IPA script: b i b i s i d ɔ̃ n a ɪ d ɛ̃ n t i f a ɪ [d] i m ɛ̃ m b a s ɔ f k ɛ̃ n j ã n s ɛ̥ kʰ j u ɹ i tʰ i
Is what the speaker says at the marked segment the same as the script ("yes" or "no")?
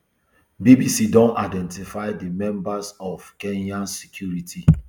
yes